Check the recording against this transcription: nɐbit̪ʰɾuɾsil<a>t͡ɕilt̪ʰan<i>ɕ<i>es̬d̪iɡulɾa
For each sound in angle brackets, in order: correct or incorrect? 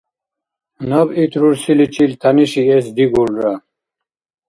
incorrect: i, correct, correct

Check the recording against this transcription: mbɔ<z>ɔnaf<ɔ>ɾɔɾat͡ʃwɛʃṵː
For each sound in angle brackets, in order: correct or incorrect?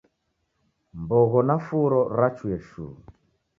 incorrect: ɣ, incorrect: u

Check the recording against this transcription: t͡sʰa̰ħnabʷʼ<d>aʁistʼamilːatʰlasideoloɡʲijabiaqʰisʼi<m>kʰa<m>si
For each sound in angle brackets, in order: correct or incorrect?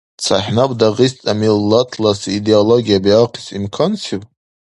correct, correct, incorrect: n

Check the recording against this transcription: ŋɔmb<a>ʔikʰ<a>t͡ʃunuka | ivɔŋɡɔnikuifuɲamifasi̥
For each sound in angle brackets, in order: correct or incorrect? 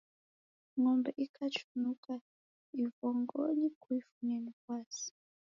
incorrect: ɛ, correct

